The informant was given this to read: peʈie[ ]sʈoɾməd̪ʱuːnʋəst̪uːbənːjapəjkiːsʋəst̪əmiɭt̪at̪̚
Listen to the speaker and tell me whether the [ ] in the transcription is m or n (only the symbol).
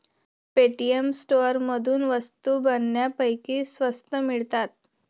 m